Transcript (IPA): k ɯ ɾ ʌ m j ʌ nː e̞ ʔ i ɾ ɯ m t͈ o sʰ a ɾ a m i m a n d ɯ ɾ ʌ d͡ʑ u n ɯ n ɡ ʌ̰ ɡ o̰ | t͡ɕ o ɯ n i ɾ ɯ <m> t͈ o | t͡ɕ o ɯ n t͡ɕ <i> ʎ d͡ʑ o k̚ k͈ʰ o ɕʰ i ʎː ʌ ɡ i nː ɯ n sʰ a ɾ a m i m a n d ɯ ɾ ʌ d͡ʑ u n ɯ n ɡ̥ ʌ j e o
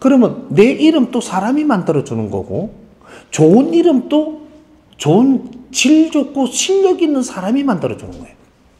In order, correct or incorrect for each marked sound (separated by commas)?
correct, correct